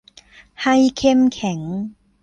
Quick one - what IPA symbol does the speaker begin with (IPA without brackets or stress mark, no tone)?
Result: h